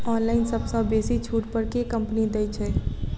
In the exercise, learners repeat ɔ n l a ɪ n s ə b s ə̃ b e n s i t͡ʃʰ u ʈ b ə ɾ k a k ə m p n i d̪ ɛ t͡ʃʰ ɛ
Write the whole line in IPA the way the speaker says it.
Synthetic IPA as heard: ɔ n l a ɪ n s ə b s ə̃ b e s i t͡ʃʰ u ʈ p ə ɾ k e k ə m p n i d̪ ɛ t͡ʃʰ ɛ